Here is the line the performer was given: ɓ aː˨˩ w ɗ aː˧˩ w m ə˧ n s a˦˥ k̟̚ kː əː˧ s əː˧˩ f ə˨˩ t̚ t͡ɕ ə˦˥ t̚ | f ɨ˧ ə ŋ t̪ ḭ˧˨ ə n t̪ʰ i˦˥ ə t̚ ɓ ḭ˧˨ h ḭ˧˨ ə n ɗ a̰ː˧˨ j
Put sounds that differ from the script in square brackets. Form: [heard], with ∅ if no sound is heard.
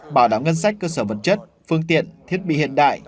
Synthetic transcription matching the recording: ɓ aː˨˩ w ɗ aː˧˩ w [ŋ] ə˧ n s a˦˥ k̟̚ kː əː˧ s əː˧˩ [v] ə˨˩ t̚ t͡ɕ ə˦˥ t̚ | f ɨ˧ ə ŋ t̪ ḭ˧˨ ə n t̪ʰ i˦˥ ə t̚ ɓ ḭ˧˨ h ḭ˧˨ ə n ɗ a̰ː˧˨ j